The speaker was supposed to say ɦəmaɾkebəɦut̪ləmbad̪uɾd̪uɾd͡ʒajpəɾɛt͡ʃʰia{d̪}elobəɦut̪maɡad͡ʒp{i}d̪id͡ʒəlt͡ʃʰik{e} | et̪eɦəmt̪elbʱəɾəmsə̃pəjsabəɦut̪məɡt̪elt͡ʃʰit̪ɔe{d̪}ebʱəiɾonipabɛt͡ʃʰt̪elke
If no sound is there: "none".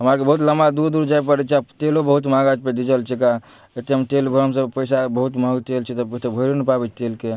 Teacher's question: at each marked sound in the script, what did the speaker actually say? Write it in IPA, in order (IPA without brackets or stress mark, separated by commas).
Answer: t̪, e, a, t̪